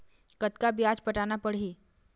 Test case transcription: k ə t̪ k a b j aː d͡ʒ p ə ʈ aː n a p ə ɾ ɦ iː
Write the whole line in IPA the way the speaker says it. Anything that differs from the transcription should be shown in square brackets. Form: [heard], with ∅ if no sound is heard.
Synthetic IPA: k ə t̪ k a b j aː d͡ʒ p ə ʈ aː n a p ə [ɽ] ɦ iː